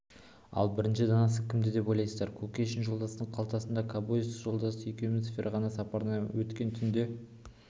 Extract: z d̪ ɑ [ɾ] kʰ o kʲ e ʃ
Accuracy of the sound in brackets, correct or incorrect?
correct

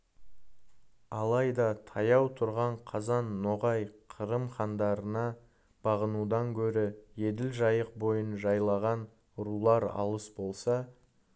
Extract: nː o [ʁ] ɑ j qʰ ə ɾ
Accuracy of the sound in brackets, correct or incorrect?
correct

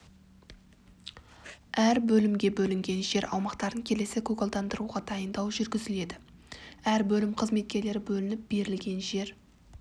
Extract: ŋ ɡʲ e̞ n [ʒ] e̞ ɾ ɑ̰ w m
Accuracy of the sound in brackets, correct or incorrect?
correct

